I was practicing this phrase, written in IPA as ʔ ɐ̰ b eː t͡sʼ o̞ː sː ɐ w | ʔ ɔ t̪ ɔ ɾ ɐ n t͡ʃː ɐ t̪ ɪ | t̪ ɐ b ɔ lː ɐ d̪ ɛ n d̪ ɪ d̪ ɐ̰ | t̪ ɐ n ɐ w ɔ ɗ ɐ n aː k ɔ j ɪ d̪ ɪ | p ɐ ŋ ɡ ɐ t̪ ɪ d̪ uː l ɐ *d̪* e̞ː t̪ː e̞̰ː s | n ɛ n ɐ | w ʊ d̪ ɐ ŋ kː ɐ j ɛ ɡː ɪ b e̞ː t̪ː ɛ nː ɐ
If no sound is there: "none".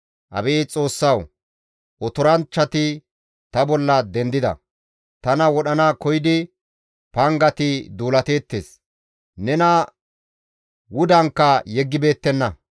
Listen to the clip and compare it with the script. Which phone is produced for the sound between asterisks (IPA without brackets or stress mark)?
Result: t̪